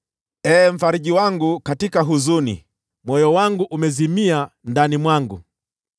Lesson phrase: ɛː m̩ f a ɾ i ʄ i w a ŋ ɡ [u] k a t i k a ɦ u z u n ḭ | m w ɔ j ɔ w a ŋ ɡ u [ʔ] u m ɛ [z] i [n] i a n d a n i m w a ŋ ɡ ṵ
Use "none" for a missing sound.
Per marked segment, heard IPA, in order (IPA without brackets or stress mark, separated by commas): u, ʔ, z, m